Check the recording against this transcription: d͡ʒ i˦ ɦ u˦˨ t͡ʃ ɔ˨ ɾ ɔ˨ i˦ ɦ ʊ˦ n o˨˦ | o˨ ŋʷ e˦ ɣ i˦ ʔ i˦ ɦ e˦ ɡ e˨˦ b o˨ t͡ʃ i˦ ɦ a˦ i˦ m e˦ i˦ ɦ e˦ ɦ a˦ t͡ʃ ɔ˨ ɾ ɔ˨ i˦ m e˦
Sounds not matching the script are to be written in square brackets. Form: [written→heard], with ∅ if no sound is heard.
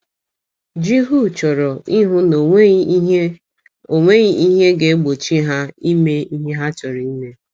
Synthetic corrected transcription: d͡ʒ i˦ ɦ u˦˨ t͡ʃ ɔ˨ ɾ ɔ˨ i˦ ɦ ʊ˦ n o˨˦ | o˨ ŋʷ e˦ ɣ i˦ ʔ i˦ ɦ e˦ ɡ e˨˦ [b→ɡ͡b] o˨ t͡ʃ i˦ ɦ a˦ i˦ m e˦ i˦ ɦ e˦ ɦ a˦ t͡ʃ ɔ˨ ɾ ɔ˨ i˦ m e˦